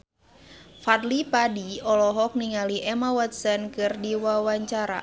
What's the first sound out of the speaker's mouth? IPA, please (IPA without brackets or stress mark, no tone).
f